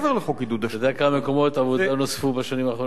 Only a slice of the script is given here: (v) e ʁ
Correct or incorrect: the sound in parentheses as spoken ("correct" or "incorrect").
correct